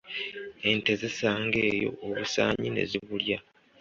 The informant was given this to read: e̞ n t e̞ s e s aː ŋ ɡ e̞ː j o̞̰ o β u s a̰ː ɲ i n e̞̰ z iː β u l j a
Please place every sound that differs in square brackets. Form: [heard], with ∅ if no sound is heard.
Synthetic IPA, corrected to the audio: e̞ n t e̞ [z] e s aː ŋ ɡ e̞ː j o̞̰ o β u s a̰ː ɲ i n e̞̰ z [i] β u l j a